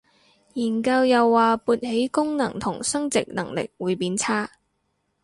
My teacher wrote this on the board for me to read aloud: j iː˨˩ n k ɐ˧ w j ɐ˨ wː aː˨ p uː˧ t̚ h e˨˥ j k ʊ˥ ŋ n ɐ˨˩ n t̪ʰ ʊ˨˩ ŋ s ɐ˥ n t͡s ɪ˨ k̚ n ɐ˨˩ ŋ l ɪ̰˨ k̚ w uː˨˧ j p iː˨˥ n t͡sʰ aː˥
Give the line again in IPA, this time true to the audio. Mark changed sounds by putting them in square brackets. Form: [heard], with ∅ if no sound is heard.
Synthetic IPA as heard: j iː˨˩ n k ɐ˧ w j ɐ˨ wː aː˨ p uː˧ t̚ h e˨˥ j k ʊ˥ ŋ n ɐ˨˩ [ŋ] t̪ʰ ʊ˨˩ ŋ s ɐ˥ [ŋ] t͡s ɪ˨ k̚ n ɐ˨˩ ŋ l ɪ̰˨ k̚ w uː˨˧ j p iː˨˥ n t͡sʰ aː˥